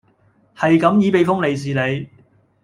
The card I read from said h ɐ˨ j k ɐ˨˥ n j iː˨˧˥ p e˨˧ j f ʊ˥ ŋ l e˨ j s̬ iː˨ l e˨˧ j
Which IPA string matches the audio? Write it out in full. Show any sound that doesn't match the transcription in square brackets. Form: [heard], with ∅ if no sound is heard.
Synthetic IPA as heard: h ɐ˨ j k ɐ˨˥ [m] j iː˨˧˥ p e˨˧ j f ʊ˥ ŋ l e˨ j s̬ iː˨ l e˨˧ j